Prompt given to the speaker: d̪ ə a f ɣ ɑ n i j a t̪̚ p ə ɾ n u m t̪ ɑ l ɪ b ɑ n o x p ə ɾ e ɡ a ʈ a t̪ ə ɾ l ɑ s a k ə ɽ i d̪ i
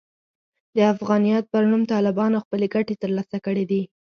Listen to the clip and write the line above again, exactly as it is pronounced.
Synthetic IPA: d̪ ə a f ɣ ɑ n i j ɑ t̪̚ p ə ɾ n u m t̪ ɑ l ɪ b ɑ n o x p ə l e ɡ a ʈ e t̪ ə ɾ l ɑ s a k ə ɽ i d̪ i